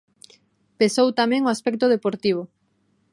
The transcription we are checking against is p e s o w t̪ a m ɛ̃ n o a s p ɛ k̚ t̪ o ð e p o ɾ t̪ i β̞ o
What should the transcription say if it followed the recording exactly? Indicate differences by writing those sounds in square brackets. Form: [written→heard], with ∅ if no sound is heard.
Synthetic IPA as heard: p e s o w t̪ a m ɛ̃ [n→ŋ] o a s p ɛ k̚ t̪ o ð e p o ɾ t̪ i β̞ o